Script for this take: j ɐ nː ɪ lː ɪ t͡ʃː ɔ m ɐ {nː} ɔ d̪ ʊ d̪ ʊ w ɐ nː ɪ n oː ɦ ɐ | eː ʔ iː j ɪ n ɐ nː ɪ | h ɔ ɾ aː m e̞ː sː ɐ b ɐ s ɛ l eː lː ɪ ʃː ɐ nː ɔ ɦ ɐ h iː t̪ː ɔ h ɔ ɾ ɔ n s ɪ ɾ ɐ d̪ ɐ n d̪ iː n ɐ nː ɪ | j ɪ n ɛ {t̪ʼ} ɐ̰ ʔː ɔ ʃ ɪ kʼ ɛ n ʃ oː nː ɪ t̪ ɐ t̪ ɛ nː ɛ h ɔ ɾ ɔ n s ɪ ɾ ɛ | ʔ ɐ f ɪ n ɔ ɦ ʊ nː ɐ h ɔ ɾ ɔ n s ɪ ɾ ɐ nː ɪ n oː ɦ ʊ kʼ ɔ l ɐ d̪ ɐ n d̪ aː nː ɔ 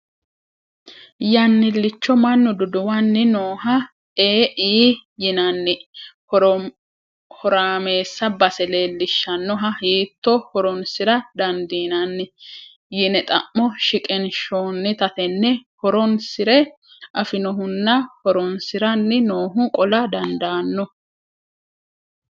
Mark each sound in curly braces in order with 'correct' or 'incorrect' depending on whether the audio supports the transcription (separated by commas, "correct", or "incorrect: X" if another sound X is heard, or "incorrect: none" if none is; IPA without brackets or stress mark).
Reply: correct, correct